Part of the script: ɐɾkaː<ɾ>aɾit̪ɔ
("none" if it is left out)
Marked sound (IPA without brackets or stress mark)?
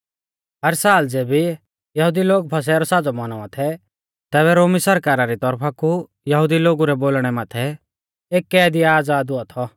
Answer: ɾ